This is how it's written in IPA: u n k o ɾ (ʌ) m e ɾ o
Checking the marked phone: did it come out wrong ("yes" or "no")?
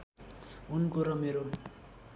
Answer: no